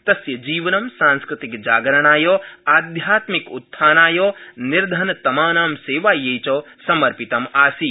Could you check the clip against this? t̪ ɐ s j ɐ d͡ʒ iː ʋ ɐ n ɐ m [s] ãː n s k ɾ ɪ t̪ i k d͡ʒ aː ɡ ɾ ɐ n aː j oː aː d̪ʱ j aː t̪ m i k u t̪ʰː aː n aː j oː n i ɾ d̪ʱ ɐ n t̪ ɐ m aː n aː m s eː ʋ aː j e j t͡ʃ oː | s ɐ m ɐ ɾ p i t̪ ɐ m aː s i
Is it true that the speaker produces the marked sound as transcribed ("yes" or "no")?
yes